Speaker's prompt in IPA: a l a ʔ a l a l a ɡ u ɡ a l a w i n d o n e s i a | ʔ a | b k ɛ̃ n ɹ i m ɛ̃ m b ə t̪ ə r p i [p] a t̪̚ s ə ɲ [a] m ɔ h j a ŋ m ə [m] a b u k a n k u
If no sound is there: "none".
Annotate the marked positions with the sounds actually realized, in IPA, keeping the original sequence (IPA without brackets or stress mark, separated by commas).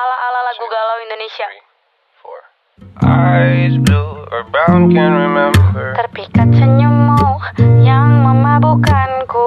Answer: k, ə, m